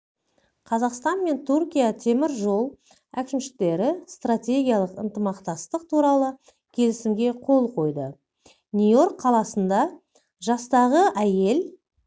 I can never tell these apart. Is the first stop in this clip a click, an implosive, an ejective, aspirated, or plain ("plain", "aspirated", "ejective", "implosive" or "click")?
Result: aspirated